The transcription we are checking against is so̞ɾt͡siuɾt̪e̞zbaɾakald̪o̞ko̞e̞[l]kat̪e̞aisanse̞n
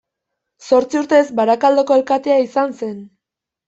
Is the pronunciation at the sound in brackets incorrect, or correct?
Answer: correct